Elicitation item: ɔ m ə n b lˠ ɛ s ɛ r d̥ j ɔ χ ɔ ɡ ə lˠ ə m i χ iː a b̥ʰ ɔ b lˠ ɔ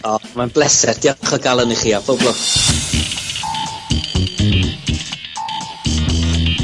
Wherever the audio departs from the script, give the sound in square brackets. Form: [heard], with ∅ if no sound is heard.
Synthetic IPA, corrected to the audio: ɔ m [a] n b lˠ ɛ s ɛ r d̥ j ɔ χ ɔ ɡ [a] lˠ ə [n] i χ iː a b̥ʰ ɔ b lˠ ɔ

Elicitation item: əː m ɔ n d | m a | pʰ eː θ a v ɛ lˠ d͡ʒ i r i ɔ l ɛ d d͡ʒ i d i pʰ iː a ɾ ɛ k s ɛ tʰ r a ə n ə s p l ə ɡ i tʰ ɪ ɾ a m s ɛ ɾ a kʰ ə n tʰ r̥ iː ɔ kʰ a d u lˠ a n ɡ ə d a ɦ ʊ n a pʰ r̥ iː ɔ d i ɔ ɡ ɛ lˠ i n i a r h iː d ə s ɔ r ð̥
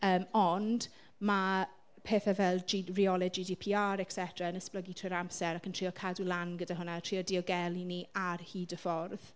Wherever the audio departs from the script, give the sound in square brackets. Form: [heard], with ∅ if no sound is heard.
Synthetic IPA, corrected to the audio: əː m ɔ n d | m a | pʰ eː θ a v ɛ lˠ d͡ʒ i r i ɔ l ɛ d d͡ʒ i d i pʰ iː a ɾ ɛ k s ɛ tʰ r a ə n ə s p l ə ɡ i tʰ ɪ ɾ a m s ɛ ɾ a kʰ ə n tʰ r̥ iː ɔ kʰ a d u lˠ a n ɡ ə d a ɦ ʊ n a [tʰ] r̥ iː ɔ d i ɔ ɡ ɛ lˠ i n i a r h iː d ə [f] ɔ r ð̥

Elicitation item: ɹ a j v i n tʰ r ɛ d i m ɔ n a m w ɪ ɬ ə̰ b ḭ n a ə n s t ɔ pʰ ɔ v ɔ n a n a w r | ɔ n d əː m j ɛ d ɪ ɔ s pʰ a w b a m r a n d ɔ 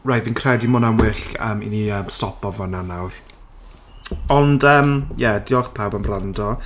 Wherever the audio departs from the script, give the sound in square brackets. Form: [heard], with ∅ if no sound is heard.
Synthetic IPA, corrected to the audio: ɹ a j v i n [kʰ] r ɛ d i m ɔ n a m w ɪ ɬ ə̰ [m] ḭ n [i] ə [m] s t ɔ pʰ ɔ v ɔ n a n a w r | ɔ n d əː m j ɛ d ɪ ɔ [χ] pʰ a w b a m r a n d ɔ

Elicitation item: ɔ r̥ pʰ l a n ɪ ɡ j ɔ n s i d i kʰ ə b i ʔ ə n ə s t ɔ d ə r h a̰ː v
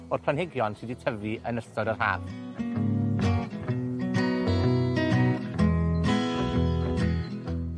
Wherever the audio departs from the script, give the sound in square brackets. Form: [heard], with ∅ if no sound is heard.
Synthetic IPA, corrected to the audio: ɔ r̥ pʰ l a n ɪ ɡ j ɔ n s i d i [tʰ] ə [v] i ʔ ə n ə s t ɔ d ə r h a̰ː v

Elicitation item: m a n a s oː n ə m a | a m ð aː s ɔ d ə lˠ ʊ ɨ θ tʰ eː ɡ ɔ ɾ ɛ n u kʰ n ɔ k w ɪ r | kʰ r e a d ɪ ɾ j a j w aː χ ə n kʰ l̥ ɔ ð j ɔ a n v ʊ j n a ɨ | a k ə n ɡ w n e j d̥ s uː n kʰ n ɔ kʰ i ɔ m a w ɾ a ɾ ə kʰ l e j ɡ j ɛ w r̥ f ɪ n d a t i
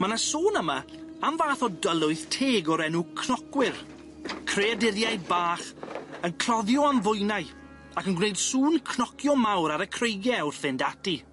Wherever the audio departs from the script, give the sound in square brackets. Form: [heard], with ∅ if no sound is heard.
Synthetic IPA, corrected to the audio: m a n a s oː n ə m a | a m [v] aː [θ] ɔ d ə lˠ ʊ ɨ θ tʰ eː ɡ ɔ ɾ ɛ n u kʰ n ɔ k w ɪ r | kʰ r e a d ɪ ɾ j a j [b] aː χ ə n kʰ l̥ ɔ ð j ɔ a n v ʊ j n a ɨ | a k ə n ɡ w n e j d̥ s uː n kʰ n ɔ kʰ [j] ɔ m a w ɾ a ɾ ə kʰ [r] e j ɡ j ɛ w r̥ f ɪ n d a t i

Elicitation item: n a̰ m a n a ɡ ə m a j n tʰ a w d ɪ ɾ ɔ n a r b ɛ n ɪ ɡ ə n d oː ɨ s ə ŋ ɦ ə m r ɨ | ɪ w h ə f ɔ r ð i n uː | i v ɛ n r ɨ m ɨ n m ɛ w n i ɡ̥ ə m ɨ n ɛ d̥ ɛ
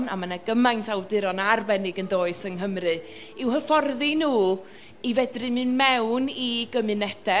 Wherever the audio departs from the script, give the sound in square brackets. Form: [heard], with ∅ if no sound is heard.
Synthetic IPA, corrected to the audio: n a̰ m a n a ɡ ə m a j n tʰ a w d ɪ ɾ ɔ n a r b ɛ n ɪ ɡ ə n d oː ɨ s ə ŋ ɦ ə m r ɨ | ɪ w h ə f ɔ r ð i n uː | i v ɛ [d] r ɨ m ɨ n m ɛ w n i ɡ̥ ə m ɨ n ɛ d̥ ɛ

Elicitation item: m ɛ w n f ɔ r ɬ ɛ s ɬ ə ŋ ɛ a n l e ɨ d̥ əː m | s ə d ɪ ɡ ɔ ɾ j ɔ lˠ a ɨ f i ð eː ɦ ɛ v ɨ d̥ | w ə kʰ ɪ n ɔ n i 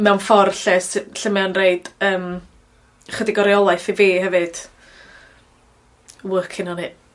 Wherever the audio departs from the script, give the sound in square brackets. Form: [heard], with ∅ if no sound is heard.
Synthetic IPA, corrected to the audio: m ɛ w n f ɔ r ɬ ɛ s ɬ ə [m] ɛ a n [r] e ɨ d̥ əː m | [χ] ə d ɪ ɡ ɔ ɾ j ɔ lˠ a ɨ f i [v] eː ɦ ɛ v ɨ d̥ | w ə kʰ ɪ n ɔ n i

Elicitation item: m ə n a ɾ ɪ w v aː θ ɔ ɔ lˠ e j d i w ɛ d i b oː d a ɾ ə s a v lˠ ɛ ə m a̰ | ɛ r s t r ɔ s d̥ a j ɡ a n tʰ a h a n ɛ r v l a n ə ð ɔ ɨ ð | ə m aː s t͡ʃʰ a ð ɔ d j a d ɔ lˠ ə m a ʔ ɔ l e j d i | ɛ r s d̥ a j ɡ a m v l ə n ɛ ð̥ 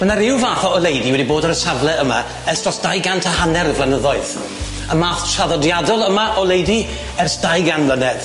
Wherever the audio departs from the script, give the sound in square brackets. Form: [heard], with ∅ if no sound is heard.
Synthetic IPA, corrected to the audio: m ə n a ɾ ɪ w v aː θ ɔ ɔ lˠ e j d i w ɛ d i b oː d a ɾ ə s a v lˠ ɛ ə m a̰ | ɛ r s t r ɔ s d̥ a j ɡ a n tʰ a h a n ɛ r v l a n ə ð ɔ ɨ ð | ə m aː [θ] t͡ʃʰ a ð ɔ d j a d ɔ lˠ ə m a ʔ ɔ l e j d i | ɛ r s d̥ a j ɡ a [n] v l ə n ɛ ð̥

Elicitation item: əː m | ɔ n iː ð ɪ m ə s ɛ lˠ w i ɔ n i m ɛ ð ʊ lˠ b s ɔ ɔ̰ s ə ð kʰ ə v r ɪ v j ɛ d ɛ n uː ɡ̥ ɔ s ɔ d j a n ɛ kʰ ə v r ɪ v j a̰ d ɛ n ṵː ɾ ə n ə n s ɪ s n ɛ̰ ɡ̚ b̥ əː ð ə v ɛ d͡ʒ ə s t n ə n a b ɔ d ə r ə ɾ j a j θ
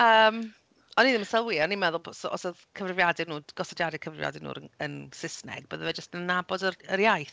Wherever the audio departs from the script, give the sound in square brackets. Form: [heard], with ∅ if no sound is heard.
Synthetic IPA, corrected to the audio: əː m | ɔ n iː ð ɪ m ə s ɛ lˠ w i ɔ n i m ɛ ð ʊ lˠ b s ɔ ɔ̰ s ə ð kʰ ə v r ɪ v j [a] d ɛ n uː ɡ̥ ɔ s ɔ d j a [d] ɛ kʰ ə v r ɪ v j a̰ d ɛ n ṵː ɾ ə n ə n s ɪ s n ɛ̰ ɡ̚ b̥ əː ð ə v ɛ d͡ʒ ə s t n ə n a b ɔ d ə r ə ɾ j a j θ

